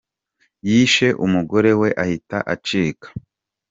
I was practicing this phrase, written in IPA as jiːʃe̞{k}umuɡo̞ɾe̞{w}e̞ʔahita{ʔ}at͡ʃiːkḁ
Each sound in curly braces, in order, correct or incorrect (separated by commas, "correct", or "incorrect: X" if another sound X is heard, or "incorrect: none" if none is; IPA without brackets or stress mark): incorrect: ʔ, correct, correct